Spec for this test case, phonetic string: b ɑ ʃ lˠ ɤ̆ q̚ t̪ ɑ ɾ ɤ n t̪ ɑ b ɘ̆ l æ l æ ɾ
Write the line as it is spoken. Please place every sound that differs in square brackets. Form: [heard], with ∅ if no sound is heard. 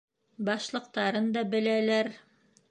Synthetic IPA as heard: b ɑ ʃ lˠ ɤ̆ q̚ t̪ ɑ ɾ ɤ n [d̪] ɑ b ɘ̆ l æ l æ ɾ